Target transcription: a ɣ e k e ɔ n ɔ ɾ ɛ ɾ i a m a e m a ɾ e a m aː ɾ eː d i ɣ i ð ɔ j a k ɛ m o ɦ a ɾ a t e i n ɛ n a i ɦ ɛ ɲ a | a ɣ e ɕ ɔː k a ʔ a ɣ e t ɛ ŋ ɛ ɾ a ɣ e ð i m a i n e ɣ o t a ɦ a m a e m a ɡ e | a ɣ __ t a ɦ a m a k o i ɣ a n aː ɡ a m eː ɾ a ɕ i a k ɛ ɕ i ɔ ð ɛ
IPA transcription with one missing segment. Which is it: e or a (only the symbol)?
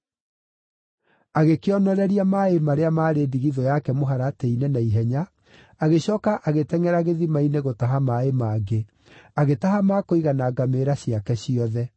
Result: e